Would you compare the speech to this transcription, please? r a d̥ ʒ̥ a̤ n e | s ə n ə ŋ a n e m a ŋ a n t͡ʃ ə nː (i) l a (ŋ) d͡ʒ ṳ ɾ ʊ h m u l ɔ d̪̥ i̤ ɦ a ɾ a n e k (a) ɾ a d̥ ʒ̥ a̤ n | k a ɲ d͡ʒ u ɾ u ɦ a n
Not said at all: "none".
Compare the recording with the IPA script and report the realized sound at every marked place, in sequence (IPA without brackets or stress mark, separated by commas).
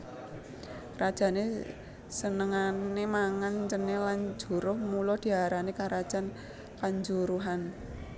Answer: e, n, a